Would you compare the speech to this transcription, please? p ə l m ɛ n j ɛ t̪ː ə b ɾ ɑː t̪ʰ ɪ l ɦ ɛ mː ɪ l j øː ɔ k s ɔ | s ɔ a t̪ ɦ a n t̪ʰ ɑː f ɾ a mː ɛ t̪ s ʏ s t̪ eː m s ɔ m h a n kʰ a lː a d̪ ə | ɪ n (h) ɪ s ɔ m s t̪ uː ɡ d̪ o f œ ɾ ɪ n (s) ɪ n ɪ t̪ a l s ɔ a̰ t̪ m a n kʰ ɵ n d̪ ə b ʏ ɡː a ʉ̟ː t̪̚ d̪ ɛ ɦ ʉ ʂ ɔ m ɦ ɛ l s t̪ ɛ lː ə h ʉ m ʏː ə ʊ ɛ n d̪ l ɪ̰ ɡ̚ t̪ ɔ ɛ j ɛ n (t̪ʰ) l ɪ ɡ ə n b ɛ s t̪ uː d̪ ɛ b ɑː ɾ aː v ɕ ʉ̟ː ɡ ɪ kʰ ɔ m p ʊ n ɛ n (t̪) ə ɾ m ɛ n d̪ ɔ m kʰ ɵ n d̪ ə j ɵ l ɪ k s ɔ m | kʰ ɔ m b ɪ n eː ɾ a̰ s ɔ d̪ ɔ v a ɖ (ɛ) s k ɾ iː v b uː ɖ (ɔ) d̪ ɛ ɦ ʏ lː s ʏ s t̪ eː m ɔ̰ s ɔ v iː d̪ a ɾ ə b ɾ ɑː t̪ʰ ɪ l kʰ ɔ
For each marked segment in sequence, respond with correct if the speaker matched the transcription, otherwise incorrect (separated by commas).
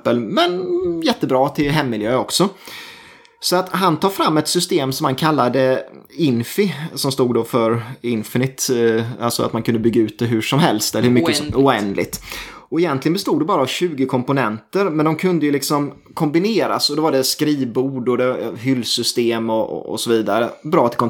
incorrect, incorrect, incorrect, correct, correct, correct